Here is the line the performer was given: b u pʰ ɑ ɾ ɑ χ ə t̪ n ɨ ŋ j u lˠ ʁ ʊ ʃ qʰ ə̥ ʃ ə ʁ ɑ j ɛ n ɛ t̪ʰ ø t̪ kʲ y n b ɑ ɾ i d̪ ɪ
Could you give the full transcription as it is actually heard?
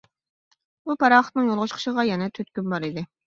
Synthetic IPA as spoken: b u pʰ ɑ ɾ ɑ χ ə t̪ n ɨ ŋ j o lˠ ʁ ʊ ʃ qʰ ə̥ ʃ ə ʁ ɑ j ɛ n ɛ t̪ʰ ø t̪ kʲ y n b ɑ ɾ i d̪ ɪ